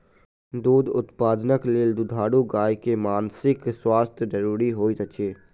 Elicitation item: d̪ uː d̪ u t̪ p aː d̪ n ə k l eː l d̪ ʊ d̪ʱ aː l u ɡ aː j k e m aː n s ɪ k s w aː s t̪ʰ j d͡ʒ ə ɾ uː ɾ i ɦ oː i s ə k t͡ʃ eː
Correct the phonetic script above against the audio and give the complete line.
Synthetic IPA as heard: d̪ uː d̪ ʊ t̪ p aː d̪ n ə k l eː l d̪ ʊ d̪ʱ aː ɽ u ɡ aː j k e m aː n s ɪ k s w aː s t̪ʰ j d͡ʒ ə ɾ uː ɾ i ɦ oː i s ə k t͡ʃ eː